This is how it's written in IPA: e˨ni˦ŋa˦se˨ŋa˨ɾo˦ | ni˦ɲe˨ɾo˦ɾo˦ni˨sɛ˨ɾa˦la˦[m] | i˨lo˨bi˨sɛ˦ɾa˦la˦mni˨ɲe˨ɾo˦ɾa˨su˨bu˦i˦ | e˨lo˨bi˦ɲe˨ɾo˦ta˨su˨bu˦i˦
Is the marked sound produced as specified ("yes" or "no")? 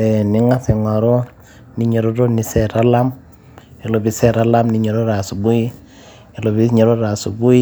yes